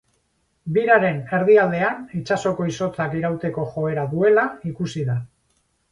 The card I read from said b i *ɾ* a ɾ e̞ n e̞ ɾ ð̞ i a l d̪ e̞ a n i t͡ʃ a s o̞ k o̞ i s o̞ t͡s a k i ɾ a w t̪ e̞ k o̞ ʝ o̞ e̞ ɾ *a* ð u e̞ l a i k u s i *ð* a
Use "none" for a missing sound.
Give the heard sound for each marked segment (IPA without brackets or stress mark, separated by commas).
ɾ, a, ð